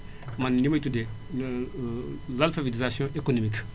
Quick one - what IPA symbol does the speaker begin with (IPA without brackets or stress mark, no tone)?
m